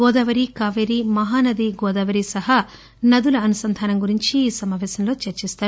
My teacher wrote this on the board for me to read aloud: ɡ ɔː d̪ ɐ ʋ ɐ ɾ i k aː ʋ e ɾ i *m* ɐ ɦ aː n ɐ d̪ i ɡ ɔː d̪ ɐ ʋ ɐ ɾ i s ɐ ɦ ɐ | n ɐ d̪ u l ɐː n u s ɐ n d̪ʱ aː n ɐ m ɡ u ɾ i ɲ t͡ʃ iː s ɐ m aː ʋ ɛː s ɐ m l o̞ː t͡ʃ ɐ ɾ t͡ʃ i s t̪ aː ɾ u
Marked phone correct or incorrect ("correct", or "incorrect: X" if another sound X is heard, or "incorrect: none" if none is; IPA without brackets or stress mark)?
correct